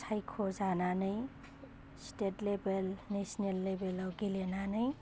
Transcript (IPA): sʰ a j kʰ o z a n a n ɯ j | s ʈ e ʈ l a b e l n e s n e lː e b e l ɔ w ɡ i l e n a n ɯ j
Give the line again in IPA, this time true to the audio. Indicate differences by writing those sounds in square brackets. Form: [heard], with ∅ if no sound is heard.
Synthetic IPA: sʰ a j kʰ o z a n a n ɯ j | s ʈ e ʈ l [e] b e l n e s n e lː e b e l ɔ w ɡ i l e n a n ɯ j